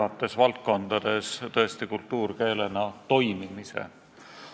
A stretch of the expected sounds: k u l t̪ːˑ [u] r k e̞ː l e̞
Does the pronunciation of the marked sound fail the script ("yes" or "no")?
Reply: yes